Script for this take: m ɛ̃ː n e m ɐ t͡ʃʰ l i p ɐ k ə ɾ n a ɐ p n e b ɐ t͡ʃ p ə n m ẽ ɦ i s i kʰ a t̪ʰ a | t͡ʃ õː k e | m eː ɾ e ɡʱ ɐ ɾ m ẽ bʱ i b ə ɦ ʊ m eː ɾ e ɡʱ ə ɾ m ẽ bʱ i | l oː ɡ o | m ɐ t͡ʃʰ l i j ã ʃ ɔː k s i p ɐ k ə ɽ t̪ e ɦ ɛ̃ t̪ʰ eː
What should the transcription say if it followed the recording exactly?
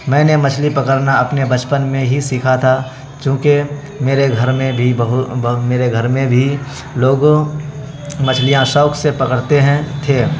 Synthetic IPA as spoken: m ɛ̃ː n e m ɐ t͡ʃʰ l i p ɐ k ə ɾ n a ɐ p n e b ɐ t͡ʃ p ə n m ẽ ɦ i s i kʰ a t̪ʰ a | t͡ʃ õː k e | m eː ɾ e ɡʱ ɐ ɾ m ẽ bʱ i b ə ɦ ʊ m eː ɾ e ɡʱ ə ɾ m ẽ bʱ i | l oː ɡ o | m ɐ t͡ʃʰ l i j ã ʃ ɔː k s e p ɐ k ə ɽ t̪ e ɦ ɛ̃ t̪ʰ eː

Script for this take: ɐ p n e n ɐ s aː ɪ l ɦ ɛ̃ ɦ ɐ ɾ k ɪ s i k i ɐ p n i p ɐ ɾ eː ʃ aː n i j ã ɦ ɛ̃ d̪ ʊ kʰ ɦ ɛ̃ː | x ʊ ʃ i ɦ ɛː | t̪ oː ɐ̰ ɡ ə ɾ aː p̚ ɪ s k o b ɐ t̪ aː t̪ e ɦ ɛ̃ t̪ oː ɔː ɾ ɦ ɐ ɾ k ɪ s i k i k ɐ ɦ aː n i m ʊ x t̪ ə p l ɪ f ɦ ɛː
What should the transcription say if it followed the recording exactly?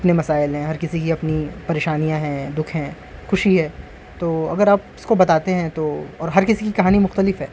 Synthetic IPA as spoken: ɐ p n e m ɐ s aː ɪ l ɦ ɛ̃ ɦ ɐ ɾ k ɪ s i k i ɐ p n i p ɐ ɾ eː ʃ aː n i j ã ɦ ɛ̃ d̪ ʊ kʰ ɦ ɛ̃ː | x ʊ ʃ i ɦ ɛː | t̪ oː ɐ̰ ɡ ə ɾ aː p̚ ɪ s k o b ɐ t̪ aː t̪ e ɦ ɛ̃ t̪ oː ɔː ɾ ɦ ɐ ɾ k ɪ s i k i k ɐ ɦ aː n i m ʊ x t̪ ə l ɪ f ɦ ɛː

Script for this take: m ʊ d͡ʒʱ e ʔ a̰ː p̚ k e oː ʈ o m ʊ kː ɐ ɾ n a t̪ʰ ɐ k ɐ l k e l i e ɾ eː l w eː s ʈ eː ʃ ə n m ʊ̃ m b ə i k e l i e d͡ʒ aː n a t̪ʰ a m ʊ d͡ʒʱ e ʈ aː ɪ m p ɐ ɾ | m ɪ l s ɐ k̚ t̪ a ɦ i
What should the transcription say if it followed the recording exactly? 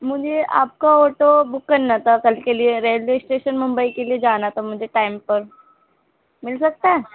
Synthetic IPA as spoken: m ʊ d͡ʒʱ e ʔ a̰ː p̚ k a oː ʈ o b ʊ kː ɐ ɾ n a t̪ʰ a k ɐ l k e l i e ɾ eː l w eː s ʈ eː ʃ ə n m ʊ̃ m b ə i k e l i e d͡ʒ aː n a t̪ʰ a m ʊ d͡ʒʱ e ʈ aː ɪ m p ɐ ɾ | m ɪ l s ɐ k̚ t̪ a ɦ ɛ

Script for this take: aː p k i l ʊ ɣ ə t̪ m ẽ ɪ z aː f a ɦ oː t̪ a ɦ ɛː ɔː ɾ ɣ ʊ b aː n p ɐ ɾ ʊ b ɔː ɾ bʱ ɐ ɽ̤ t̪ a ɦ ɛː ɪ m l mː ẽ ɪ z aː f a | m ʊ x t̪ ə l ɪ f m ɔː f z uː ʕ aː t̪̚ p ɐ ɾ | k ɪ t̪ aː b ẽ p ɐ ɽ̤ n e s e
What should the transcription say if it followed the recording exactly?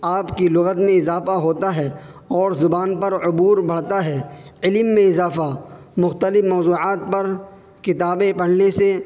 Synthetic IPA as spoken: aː p k i l ʊ ɣ ə t̪ m ẽ ɪ z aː f a ɦ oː t̪ a ɦ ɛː ɔː ɾ z ʊ b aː n p ɐ ɾ ʊ b uː ɾ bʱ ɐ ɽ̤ t̪ a ɦ ɛː ɪ l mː ẽ ɪ z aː f a | m ʊ x t̪ ə l ɪ f m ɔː z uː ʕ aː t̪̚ p ɐ ɾ | k ɪ t̪ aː b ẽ p ɐ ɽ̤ n e s e

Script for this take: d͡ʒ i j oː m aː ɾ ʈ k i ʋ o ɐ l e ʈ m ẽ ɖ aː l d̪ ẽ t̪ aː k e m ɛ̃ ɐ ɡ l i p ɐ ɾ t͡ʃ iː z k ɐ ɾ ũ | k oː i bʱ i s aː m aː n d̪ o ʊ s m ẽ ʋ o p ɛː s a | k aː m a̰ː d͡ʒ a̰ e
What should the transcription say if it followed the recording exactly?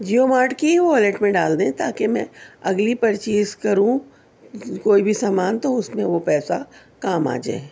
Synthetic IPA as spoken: d͡ʒ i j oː m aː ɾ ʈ k i ʋ o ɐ l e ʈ m ẽ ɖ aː l d̪ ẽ t̪ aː k e m ɛ̃ ɐ ɡ l i p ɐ ɾ t͡ʃ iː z k ɐ ɾ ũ | k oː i bʱ i s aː m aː n t̪ o ʊ s m ẽ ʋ o p ɛː s a | k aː m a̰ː d͡ʒ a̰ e

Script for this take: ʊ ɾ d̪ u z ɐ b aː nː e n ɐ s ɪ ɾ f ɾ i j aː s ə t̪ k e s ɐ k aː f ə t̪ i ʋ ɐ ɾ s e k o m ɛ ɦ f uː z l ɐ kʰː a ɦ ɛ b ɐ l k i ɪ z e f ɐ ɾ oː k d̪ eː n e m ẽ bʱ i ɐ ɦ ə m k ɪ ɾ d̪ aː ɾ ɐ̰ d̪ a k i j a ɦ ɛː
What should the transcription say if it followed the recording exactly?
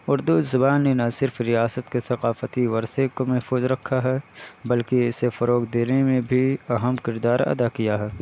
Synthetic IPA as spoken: ʊ ɾ d̪ u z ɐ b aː nː e n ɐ s ɪ ɾ f ɾ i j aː s ə t̪ k e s ɐ q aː f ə t̪ i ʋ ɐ ɾ s e k o m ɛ ɦ f uː z ɾ ɐ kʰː a ɦ ɛ b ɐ l k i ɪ s e f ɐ ɾ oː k d̪ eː n e m ẽ bʱ i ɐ ɦ ə m k ɪ ɾ d̪ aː ɾ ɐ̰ d̪ a k i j a ɦ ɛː

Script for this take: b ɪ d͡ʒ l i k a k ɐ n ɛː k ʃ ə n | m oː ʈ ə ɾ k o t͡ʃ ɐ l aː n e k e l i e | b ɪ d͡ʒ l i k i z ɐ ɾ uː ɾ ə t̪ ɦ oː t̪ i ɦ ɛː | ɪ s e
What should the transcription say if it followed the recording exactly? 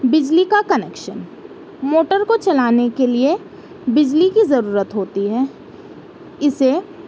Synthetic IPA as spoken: b ɪ d͡ʒ l i k a k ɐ n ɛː k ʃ ə n | m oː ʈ ə ɾ k o t͡ʃ ɐ l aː n e k e l i e | b ɪ d͡ʒ l i k i z ɐ ɾ uː ɾ ə t̪ ɦ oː t̪ i ɦ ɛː | ɪ s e

